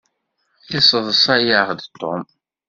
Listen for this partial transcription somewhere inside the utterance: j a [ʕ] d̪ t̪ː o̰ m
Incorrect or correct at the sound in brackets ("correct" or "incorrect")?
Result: incorrect